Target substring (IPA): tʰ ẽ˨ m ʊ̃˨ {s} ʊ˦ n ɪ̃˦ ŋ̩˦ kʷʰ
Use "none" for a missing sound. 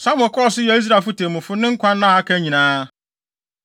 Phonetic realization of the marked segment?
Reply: f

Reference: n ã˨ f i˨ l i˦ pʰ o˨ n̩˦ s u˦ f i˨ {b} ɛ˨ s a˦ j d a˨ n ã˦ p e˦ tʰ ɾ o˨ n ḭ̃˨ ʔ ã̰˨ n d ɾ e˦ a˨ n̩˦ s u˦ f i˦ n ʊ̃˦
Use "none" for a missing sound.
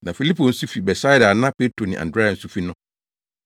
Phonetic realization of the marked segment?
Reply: b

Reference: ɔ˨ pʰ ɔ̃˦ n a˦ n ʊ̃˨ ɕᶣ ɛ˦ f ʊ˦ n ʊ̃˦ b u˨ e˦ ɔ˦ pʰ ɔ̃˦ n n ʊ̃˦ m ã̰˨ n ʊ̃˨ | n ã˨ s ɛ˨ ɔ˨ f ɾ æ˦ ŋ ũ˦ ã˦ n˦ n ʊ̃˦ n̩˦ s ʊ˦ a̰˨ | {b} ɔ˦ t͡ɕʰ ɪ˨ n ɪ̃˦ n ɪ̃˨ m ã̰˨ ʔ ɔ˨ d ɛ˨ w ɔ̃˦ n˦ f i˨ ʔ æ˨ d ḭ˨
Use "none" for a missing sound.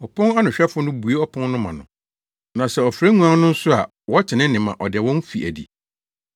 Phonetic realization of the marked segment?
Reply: w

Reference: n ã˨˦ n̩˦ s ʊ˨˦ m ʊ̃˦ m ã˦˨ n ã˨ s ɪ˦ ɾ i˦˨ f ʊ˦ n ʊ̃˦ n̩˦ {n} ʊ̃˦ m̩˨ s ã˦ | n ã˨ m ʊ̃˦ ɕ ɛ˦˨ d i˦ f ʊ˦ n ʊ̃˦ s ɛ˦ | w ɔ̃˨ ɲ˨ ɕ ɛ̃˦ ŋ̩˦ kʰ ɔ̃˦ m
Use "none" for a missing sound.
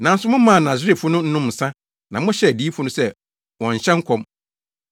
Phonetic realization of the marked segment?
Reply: n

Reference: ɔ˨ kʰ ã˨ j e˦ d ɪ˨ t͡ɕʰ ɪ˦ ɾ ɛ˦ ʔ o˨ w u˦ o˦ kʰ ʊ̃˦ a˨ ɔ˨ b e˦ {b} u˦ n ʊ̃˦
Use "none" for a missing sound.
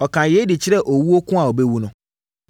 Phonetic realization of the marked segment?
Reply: w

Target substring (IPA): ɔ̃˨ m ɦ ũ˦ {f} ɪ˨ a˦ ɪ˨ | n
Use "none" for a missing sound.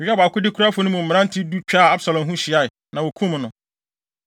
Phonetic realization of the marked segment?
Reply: ɕ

